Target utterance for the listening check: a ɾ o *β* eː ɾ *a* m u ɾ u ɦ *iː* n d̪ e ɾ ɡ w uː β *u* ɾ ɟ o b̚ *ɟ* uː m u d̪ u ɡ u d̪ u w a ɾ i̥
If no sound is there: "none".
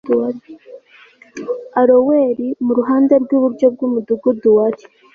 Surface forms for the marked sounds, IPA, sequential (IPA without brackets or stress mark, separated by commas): w, i, aː, u, ɡ